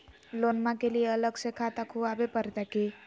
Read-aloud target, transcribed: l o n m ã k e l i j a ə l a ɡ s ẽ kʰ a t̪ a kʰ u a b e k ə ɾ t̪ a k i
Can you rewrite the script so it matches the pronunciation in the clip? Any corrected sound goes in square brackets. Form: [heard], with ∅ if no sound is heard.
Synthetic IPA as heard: l o n m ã k e l i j [e] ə l [ə] ɡ s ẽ kʰ a t̪ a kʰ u a b e [p] ə ɾ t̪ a k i